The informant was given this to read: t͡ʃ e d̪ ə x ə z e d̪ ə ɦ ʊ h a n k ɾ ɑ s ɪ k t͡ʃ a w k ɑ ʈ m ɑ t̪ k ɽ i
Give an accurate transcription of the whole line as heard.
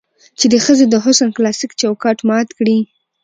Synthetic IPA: t͡ʃ e d̪ ə x ə z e d̪ ə ɦ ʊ s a n k l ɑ s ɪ k t͡ʃ a w k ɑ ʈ m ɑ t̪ k ɽ i